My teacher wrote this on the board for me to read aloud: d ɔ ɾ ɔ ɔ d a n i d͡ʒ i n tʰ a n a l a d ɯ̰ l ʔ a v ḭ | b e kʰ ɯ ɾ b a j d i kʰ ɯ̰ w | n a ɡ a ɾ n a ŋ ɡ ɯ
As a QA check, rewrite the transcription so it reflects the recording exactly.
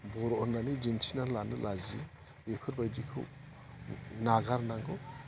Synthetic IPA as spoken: b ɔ ɾ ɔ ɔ n a n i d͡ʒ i n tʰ i n a l a n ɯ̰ l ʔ a z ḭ | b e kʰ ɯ ɾ b a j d i kʰ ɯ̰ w | n a ɡ a ɾ n a ŋ ɡ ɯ